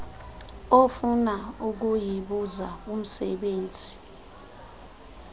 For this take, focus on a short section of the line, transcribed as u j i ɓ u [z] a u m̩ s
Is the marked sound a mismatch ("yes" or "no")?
no